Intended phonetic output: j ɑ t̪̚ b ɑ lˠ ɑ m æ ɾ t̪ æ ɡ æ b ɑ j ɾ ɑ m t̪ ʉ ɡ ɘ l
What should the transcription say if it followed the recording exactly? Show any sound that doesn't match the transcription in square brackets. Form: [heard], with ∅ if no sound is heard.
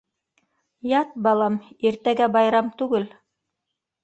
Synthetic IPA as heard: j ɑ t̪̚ b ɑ lˠ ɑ m [i] ɾ t̪ æ ɡ æ b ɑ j ɾ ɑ m t̪ ʉ ɡ ɘ l